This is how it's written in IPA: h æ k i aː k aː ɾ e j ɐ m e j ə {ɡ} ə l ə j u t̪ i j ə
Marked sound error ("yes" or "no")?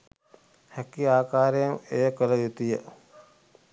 yes